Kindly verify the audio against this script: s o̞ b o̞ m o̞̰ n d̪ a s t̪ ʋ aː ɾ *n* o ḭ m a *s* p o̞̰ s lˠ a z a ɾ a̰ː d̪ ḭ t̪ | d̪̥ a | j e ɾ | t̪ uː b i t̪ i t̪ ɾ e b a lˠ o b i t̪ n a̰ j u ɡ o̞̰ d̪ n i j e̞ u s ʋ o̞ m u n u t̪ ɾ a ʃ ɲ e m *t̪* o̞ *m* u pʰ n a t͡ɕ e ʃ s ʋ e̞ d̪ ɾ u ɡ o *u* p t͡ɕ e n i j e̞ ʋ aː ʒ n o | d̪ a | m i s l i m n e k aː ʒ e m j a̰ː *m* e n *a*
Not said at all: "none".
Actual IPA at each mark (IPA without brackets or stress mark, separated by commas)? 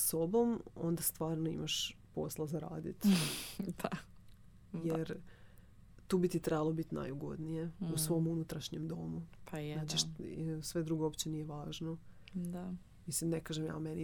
n, ʃ, d̪, m, o, m, i